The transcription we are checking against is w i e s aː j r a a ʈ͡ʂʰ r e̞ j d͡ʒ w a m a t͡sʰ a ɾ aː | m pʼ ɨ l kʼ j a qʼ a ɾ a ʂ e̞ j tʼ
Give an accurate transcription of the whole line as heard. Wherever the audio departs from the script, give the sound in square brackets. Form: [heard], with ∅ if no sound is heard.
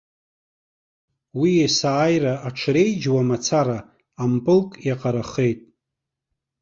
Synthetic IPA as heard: w i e s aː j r a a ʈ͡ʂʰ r e̞ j d͡ʒ w a m a t͡sʰ a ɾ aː | m pʼ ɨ l kʼ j a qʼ a ɾ a [χ] e̞ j tʼ

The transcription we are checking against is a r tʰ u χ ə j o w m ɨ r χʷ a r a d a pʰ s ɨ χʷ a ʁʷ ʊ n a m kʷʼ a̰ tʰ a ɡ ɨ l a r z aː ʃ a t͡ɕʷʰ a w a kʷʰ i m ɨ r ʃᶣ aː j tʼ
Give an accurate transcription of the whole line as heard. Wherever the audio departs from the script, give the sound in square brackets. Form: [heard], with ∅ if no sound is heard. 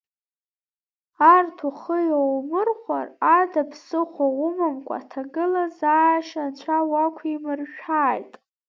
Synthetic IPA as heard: a r tʰ u χ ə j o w m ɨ r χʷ a r a d a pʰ s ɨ χʷ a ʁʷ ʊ [m] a m kʷʼ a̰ tʰ a ɡ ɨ l a [∅] z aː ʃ a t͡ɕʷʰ a w a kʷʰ i m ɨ r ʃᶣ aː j tʼ

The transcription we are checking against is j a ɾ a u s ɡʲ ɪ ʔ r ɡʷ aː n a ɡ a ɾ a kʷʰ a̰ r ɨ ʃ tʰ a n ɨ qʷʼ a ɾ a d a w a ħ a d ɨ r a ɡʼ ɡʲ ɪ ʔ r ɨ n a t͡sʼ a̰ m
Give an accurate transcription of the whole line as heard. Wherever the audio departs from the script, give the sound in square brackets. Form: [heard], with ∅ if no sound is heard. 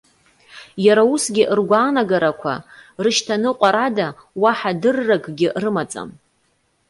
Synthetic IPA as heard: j a ɾ a u s ɡʲ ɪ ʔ r ɡʷ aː n a ɡ a ɾ a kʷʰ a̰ r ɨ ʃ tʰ a n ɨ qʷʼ a ɾ a d a w a ħ a d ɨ [rː] a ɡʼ ɡʲ ɪ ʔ r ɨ [m] a t͡sʼ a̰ m

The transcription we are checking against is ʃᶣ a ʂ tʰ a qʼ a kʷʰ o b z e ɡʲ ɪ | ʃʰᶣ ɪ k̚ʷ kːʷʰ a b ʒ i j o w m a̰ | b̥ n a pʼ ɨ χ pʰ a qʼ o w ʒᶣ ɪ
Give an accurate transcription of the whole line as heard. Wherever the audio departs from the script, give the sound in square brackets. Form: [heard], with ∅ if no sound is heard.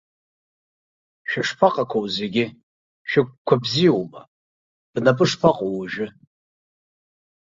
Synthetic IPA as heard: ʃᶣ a ʂ [pʰ] a qʼ a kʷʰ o [w] z e ɡʲ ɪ | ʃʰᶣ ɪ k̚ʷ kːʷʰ a b [z] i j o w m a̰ | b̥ n a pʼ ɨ [ʂ] pʰ a qʼ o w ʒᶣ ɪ

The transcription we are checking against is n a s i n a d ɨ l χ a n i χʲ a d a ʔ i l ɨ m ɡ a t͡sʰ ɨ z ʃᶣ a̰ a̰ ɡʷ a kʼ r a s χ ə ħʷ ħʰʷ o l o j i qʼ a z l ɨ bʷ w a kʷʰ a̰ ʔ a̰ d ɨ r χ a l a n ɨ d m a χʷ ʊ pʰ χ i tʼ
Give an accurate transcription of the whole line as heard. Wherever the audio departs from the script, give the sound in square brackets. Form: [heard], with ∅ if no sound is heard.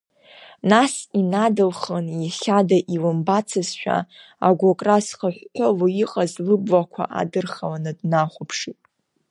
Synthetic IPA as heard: n a s i n a d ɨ l χ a n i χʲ a d a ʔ i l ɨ m [b] a t͡sʰ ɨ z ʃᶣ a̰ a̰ ɡʷ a kʼ r a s χ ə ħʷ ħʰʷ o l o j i qʼ a z l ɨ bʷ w a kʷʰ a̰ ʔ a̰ d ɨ r χ a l a n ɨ d [n] a χʷ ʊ pʰ [ʂ] i tʼ

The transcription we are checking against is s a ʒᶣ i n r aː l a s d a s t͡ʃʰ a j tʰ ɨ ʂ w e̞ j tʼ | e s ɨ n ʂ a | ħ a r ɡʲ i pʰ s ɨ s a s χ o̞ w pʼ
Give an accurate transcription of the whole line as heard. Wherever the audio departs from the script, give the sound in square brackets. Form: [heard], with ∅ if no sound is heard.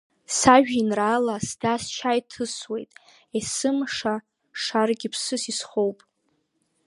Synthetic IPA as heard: s a ʒᶣ i n r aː l a s d a s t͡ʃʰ a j tʰ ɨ [s] w e̞ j tʼ | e s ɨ [m] ʂ a | [ʂ] a r ɡʲ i pʰ s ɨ s [i] s χ o̞ w pʼ

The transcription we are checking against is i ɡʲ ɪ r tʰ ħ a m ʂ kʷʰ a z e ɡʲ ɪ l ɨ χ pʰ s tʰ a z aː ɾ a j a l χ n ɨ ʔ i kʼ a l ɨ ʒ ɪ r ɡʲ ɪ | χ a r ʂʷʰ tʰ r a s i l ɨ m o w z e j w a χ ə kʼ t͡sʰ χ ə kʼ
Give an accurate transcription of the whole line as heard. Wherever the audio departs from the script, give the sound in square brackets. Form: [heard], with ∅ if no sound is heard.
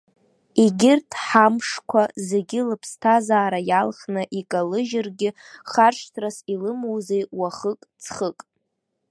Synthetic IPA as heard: i ɡʲ ɪ r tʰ ħ a m ʂ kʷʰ a z e ɡʲ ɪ l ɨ [∅] pʰ s tʰ a z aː ɾ a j a l χ n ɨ ʔ i kʼ a l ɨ ʒ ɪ r ɡʲ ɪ | χ a r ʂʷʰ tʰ r a s i l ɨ m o w z e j w a χ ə kʼ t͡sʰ χ ə kʼ

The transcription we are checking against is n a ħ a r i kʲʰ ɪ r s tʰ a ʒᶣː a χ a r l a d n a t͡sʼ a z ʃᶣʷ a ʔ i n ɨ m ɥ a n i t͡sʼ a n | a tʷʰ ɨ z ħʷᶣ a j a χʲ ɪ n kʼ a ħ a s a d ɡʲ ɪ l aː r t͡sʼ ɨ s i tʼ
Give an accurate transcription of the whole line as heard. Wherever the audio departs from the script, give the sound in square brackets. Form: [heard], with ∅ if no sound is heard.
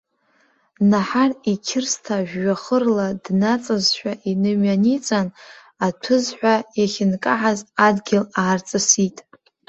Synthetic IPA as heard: n a ħ a r i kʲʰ ɪ r s tʰ a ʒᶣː a χ [ə] r l a d n a t͡sʼ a z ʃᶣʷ a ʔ i n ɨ m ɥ a n i t͡sʼ a n | a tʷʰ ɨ z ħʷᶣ a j a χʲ ɪ n kʼ a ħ a [z] a d ɡʲ ɪ l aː r t͡sʼ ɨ s i tʼ

